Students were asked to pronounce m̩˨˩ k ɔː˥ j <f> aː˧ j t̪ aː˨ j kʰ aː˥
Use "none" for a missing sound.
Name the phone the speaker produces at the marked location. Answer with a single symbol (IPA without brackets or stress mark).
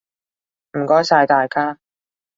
s